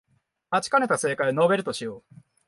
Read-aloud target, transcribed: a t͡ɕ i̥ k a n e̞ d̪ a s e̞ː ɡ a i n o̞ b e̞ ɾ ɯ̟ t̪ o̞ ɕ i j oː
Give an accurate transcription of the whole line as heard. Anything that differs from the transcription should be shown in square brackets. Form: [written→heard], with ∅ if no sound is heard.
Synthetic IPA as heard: a t͡ɕ i̥ k a n e̞ [d̪→t̪] a s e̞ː [ɡ→k] a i n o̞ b e̞ ɾ ɯ̟ t̪ o̞ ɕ i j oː